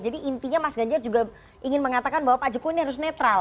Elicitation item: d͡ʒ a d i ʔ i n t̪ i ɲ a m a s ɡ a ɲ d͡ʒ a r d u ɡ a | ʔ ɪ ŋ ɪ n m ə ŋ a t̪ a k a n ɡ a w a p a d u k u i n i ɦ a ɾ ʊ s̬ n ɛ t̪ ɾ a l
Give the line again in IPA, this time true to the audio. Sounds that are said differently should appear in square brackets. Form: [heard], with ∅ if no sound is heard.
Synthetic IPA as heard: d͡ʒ a d i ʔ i n t̪ i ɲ a m a s ɡ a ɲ d͡ʒ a r [d͡ʒ] u ɡ a | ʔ [i] ŋ ɪ n m ə ŋ a t̪ a k a n [b] a w a p a [d͡ʒ] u k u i n i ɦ a ɾ ʊ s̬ n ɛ t̪ ɾ a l